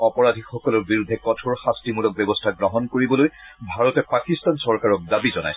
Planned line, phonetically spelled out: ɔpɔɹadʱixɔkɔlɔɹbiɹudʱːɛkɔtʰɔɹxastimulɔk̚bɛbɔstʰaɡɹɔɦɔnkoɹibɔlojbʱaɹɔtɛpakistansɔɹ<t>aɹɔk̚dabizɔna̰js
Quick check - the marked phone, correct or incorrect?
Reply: incorrect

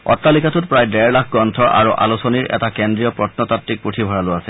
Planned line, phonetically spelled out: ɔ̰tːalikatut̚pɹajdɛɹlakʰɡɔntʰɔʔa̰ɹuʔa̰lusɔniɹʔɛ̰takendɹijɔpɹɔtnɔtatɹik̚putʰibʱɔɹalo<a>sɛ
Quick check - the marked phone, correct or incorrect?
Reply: correct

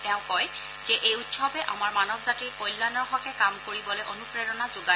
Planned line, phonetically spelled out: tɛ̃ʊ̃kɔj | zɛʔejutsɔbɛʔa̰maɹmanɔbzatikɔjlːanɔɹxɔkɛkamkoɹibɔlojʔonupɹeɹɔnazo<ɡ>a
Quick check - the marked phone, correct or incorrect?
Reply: correct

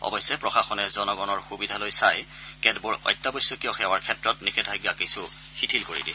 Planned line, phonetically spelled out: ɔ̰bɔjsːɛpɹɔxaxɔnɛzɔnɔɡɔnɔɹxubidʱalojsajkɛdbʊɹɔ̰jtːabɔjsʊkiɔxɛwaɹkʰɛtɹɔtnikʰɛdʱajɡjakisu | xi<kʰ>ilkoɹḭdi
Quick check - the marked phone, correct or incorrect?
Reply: incorrect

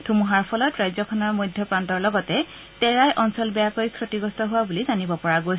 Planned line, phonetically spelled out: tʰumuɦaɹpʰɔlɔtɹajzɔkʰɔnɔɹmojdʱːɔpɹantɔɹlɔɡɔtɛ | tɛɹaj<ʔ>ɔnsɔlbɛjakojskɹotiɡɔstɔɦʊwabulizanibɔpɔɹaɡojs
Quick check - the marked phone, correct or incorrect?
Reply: correct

